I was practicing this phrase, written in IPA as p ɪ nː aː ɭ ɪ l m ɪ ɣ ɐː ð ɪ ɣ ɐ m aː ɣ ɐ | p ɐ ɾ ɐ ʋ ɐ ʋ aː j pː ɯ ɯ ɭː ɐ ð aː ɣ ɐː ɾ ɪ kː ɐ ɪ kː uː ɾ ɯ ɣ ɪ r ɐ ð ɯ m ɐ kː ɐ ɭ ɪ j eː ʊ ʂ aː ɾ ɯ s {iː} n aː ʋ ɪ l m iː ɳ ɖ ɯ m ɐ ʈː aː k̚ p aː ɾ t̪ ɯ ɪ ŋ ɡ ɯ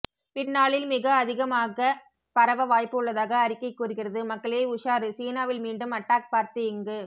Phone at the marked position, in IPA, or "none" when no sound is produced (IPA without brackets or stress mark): iː